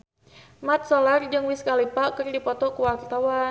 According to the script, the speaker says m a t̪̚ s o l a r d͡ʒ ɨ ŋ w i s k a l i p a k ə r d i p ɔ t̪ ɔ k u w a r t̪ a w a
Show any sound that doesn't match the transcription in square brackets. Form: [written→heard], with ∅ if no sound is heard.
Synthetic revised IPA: m a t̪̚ s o l a r d͡ʒ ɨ ŋ w i s k a l i p a k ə r d i p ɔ t̪ ɔ k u w a r t̪ a w a